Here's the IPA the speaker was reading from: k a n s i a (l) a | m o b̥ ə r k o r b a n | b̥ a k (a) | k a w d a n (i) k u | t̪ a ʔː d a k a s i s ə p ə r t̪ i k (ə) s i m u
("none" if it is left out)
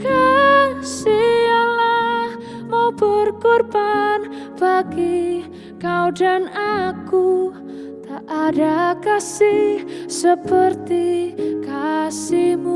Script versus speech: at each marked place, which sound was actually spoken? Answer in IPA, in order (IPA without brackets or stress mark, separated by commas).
l, i, a, a